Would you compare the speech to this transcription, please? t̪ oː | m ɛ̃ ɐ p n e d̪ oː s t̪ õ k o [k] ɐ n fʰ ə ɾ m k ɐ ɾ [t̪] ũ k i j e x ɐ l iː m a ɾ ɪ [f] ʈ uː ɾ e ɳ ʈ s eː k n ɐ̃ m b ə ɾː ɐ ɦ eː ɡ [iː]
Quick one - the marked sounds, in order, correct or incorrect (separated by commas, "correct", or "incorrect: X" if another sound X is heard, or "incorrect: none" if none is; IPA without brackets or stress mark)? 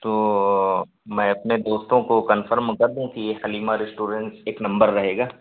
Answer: correct, incorrect: d̪, incorrect: s, incorrect: aː